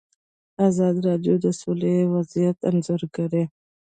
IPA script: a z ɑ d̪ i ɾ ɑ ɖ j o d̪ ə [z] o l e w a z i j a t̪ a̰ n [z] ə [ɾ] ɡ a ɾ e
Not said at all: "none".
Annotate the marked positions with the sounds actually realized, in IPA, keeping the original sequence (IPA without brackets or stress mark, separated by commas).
s, z, ɾ